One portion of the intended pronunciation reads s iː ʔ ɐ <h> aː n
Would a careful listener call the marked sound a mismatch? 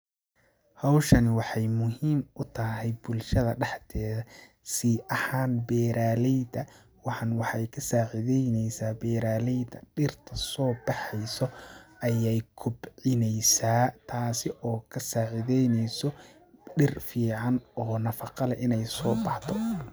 no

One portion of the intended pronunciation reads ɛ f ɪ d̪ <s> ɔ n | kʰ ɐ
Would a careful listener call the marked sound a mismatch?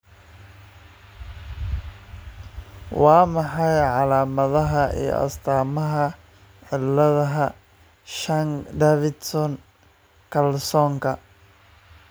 no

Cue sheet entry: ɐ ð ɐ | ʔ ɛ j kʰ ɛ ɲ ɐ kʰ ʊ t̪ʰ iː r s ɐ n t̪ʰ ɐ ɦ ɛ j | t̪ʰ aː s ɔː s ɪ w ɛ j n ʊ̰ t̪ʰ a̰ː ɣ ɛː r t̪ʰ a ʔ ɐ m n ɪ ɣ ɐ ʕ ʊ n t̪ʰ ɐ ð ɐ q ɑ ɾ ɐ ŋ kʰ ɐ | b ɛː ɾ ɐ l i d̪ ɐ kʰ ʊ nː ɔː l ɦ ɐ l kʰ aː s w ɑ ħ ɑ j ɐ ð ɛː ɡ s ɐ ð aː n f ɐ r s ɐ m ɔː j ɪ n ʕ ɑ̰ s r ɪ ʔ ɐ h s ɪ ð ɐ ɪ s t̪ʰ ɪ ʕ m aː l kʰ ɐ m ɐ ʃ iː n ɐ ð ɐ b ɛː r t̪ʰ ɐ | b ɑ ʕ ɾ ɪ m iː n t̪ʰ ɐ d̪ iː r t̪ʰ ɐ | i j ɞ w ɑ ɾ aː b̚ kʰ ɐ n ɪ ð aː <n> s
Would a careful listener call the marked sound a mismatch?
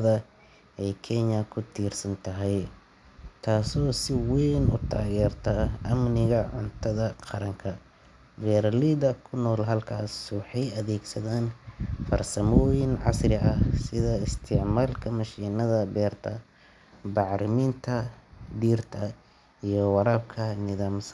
yes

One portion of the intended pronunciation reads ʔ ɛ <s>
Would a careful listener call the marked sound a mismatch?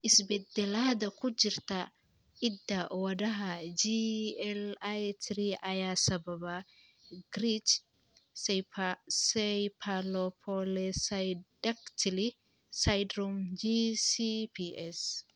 no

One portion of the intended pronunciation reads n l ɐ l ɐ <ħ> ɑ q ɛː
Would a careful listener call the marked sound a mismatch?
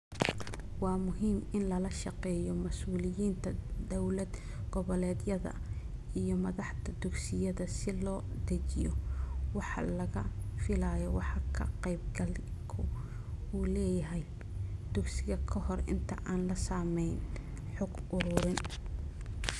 yes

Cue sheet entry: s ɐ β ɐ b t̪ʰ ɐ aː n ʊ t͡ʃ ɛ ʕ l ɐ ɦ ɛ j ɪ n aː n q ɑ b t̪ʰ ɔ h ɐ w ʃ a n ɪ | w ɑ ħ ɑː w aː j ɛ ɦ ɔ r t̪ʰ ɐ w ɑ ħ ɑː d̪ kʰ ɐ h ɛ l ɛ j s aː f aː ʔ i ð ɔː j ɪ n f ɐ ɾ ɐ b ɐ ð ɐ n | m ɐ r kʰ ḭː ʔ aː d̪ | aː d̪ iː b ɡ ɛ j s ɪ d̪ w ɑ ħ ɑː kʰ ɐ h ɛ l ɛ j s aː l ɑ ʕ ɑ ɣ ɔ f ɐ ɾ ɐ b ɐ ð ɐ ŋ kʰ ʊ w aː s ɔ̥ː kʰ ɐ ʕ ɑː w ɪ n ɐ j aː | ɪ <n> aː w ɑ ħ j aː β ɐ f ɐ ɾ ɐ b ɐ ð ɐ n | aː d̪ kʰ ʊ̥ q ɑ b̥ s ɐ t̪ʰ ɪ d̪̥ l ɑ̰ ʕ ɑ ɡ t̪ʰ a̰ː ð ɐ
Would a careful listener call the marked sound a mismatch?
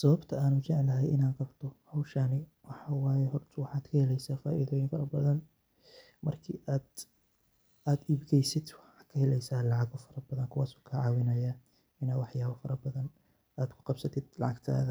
no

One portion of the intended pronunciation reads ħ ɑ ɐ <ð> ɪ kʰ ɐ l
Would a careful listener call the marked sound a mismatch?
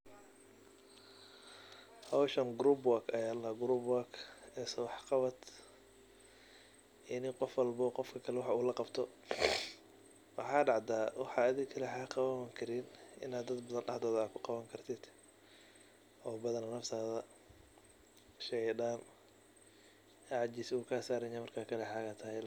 no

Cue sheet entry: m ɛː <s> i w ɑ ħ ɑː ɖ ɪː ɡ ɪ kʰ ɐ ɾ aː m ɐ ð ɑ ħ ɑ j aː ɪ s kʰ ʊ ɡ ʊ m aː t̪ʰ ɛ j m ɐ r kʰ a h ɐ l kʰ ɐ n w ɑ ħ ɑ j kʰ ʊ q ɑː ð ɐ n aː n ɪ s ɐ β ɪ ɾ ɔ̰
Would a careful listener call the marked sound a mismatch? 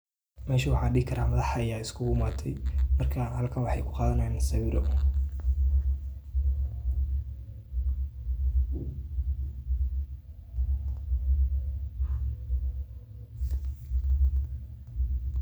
yes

